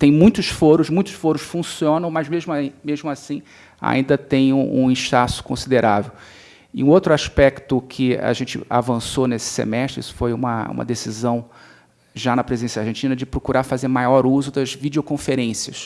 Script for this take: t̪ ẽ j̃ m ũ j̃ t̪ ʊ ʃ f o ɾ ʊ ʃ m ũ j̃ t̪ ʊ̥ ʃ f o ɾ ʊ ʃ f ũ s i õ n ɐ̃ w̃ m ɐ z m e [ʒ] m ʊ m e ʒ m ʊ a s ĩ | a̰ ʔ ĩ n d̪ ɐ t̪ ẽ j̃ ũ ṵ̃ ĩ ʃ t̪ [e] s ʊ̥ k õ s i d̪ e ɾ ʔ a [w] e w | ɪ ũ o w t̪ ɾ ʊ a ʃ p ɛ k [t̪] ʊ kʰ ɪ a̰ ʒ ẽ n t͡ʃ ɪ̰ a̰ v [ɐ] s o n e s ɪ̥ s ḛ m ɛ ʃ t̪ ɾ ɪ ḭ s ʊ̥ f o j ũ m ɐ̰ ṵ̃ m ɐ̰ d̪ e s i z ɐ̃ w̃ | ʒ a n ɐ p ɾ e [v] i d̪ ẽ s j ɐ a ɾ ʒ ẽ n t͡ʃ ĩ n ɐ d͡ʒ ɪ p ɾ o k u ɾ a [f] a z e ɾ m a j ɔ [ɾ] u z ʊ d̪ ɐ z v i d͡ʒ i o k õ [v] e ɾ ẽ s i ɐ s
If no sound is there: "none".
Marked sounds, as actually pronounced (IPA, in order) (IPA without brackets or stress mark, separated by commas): ʒ, a, v, t̪, ɐ̃, z, f, ɾ, f